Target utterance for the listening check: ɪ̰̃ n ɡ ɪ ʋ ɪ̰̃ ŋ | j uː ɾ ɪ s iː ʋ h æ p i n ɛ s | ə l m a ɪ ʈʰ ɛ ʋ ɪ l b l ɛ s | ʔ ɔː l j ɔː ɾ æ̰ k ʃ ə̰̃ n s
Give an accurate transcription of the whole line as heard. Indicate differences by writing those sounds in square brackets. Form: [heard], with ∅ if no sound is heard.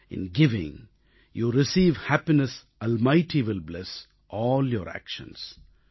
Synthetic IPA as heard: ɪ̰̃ n ɡ ɪ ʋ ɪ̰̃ ŋ | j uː ɾ ɪ s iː ʋ h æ p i n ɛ s | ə l m a ɪ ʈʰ [i] ʋ ɪ l b l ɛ s | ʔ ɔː l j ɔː ɾ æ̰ k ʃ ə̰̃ n s